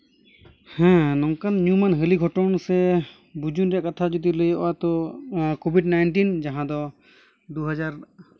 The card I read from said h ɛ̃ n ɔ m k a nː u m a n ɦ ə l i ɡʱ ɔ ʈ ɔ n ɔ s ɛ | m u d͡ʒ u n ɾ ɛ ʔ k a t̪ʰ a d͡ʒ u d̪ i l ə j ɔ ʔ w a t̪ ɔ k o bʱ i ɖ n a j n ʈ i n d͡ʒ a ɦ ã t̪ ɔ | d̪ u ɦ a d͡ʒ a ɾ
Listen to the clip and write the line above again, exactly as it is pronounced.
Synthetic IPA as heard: h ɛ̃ n ɔ ŋ k a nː u m a n ɦ ə l i ɡʱ ɔ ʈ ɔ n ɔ s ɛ | b u d͡ʒ u n ɾ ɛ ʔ k a t̪ʰ a d͡ʒ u d̪ i l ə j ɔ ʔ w a t̪ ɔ k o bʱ i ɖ n a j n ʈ i n d͡ʒ a ɦ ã d̪ ɔ | d̪ u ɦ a d͡ʒ a ɾ